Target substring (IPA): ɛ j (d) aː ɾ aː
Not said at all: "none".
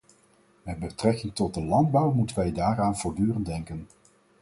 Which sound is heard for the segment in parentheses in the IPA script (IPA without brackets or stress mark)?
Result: d